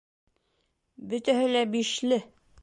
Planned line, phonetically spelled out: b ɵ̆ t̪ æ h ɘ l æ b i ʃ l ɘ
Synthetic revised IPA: b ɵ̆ t̪ æ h ɘ l æ b i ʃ l ɘ